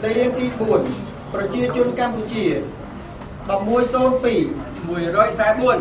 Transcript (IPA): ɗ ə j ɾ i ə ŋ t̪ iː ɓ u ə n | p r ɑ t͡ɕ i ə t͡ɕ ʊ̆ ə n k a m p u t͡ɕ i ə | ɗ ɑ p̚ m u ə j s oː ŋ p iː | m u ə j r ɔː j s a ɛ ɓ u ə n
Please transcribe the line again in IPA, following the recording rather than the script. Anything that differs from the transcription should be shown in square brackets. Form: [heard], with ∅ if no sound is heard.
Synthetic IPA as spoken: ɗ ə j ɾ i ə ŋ t̪ iː ɓ u ə n | p r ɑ t͡ɕ i ə t͡ɕ ʊ̆ ə n k a m p u t͡ɕ i ə | ɗ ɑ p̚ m u ə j s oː [n] p iː | m u ə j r ɔː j s a ɛ ɓ u ə n